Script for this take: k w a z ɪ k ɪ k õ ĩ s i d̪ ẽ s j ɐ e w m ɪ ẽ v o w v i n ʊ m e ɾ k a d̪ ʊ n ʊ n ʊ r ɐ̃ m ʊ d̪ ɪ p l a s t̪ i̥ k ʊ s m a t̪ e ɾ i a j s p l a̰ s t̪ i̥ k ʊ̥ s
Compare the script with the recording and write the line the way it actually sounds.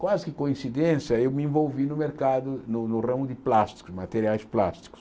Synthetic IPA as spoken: k w a z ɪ k ɪ k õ ĩ s i d̪ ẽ s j ɐ e w m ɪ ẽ v o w v i n ʊ m e ɾ k a d̪ ʊ n ʊ n ʊ r ɐ̃ m ʊ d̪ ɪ p l a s t̪ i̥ k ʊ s m a t̪ e ɾ i a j s p l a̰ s t̪ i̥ k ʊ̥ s